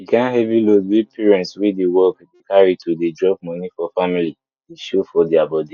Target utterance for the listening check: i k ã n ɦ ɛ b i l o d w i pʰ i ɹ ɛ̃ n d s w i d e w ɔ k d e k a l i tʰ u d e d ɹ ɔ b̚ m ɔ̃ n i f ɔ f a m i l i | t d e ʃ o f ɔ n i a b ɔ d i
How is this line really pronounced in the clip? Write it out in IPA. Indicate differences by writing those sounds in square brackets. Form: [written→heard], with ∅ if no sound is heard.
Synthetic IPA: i k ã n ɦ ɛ [b→v] i l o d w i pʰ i ɹ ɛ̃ n [d→t] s w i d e w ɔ k d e k a [l→ɹ] i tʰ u d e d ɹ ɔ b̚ m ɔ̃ n i f ɔ f a m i l i | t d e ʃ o f ɔ [n→d] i a b ɔ d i